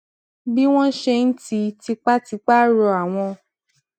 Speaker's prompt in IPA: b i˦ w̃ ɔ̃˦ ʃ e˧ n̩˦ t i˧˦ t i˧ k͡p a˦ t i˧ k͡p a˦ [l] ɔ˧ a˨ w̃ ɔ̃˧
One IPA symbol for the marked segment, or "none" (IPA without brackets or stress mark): ɾ